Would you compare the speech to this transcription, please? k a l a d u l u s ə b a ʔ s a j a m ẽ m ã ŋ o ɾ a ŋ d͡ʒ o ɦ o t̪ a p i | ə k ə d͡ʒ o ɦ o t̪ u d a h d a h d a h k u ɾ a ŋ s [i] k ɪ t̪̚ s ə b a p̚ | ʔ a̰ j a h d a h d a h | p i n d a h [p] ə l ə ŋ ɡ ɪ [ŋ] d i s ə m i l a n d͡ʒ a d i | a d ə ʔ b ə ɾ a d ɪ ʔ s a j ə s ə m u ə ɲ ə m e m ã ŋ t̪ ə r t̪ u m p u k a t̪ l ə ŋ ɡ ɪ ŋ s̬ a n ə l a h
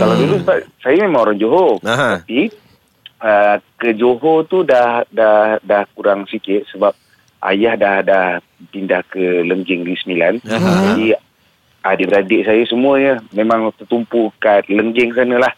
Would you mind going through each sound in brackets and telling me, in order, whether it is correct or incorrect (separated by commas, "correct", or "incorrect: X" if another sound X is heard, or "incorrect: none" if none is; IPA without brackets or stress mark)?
correct, incorrect: k, correct